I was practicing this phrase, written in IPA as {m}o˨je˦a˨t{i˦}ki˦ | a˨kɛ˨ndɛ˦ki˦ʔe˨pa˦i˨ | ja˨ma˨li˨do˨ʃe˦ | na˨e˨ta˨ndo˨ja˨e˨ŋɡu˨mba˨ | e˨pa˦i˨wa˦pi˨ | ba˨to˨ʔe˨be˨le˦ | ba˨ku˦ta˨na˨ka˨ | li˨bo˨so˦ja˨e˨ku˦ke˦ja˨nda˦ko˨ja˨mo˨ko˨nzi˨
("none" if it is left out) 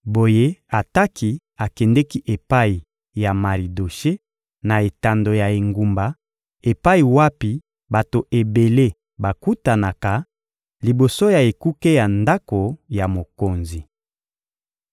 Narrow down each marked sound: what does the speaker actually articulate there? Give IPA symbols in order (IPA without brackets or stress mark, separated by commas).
b, a˦